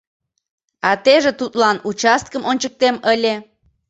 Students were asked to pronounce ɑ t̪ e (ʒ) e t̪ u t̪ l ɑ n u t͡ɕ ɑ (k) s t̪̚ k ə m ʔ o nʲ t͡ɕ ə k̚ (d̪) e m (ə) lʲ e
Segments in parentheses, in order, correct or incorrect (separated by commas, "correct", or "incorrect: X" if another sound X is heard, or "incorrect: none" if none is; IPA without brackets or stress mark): correct, incorrect: none, incorrect: t̪, correct